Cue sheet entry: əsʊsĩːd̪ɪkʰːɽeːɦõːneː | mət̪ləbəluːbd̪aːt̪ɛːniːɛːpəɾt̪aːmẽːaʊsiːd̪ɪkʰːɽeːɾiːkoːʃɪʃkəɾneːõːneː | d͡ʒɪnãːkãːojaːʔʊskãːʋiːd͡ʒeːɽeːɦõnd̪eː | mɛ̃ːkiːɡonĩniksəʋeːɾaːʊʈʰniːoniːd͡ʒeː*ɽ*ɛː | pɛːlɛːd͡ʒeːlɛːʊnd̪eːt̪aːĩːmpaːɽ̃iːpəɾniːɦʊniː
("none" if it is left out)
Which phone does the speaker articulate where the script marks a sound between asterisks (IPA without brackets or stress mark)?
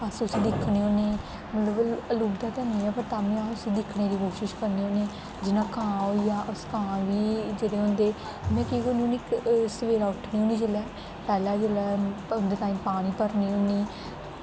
l